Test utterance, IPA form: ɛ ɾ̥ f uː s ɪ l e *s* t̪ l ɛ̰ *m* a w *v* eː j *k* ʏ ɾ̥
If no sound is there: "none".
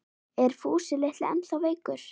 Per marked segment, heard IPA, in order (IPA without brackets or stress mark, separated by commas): h, n, v, k